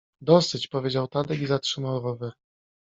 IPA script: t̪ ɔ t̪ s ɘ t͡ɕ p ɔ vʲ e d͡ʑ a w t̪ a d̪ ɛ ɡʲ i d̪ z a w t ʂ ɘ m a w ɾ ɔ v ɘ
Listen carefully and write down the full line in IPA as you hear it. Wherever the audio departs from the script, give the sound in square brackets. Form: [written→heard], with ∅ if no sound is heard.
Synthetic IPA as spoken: [t̪→d̪] ɔ [t̪→∅] s ɘ t͡ɕ p ɔ vʲ e d͡ʑ a w t̪ a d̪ ɛ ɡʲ i [d̪→∅] z a [w→∅] t ʂ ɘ m a w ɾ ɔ v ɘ